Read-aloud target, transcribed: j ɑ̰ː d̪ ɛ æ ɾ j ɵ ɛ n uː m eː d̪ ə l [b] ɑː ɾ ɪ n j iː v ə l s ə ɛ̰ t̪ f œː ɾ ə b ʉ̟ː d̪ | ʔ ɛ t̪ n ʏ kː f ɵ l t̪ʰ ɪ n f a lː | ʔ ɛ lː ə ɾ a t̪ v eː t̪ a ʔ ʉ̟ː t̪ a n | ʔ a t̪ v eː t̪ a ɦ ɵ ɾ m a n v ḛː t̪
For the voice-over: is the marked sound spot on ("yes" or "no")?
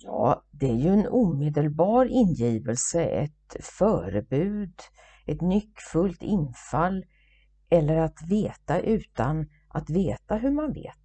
yes